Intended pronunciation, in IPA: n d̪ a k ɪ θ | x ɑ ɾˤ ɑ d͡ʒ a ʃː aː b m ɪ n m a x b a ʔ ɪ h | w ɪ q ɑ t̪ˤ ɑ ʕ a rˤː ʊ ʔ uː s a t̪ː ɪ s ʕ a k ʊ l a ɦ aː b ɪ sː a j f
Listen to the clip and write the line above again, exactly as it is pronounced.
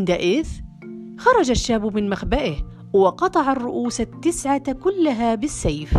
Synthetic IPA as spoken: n d̪ a ʔ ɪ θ | x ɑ ɾˤ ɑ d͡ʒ a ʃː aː b m ɪ n m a x b a ʔ ɪ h | w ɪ q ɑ t̪ˤ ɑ ʕ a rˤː ʊ ʔ uː s a t̪ː ɪ s ʕ a k ʊ lː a ɦ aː b ɪ sː a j f